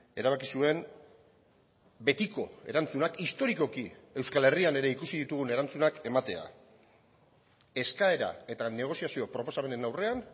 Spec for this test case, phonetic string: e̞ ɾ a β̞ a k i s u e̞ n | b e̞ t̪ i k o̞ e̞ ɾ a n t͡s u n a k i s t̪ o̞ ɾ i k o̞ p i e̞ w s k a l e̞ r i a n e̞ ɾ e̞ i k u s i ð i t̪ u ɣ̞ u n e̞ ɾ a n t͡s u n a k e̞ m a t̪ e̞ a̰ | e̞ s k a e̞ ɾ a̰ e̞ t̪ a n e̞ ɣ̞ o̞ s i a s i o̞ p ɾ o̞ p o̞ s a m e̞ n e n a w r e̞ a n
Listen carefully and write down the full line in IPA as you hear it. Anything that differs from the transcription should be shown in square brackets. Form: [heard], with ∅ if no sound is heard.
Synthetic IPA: e̞ ɾ a β̞ a k i s u e̞ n | b e̞ t̪ i k o̞ e̞ ɾ a n t͡s u n a k i s t̪ o̞ ɾ i k o̞ [k] i e̞ w s k a l e̞ r i a n e̞ ɾ e̞ i k u s i ð i t̪ u ɣ̞ u n e̞ ɾ a n t͡s u n a k e̞ m a t̪ e̞ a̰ | e̞ s k a e̞ ɾ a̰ e̞ t̪ a n e̞ ɣ̞ o̞ s i a s i o̞ p ɾ o̞ p o̞ s a m e̞ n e n a w r e̞ a n